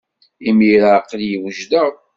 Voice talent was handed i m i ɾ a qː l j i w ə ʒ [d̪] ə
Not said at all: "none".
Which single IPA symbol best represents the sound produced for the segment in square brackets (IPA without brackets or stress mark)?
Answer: d̪